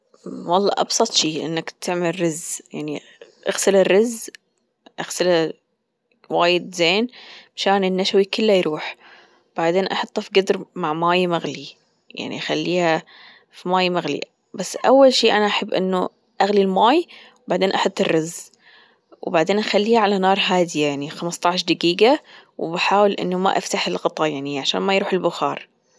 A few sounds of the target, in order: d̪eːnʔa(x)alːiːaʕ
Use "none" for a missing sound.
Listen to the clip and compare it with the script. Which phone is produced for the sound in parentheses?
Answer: x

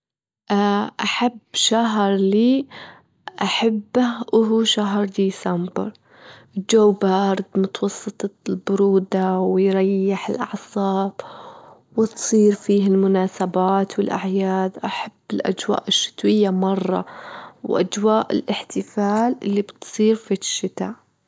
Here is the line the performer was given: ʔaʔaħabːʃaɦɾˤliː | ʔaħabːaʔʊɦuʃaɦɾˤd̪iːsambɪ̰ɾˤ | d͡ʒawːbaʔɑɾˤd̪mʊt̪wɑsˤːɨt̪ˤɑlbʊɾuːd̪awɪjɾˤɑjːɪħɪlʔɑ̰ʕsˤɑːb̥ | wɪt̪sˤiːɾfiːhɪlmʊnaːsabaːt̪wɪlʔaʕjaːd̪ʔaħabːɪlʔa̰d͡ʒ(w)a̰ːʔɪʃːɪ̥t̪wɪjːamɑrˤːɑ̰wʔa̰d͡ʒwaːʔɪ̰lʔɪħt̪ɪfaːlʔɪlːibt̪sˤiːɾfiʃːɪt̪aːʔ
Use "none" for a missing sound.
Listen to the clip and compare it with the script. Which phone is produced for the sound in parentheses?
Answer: w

